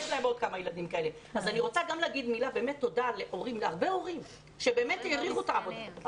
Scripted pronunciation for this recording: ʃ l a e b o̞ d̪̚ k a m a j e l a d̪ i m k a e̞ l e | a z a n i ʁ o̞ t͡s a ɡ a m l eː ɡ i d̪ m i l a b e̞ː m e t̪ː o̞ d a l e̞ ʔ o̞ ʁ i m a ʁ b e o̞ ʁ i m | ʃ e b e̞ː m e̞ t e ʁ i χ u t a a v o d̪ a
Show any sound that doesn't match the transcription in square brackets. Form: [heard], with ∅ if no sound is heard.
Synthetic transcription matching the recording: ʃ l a e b o̞ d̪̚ k a m a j e l a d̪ i m k a e̞ l e | a z a n i ʁ o̞ t͡s a ɡ a m l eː ɡ i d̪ m i l a b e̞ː m e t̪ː o̞ d a l e̞ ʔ o̞ ʁ i m a ʁ b e o̞ ʁ i m | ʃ e b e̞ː m e̞ t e ʁ i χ u t a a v o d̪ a